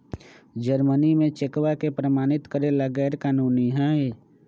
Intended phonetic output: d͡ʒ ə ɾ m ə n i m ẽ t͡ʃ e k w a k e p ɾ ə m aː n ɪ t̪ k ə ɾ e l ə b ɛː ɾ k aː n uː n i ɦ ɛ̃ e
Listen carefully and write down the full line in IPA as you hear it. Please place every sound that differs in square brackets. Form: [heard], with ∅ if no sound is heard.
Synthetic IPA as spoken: d͡ʒ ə ɾ m ə n i m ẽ t͡ʃ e k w a k e p ɾ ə m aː n ɪ t̪ k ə ɾ e l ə [ɡ] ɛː ɾ k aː n uː n i ɦ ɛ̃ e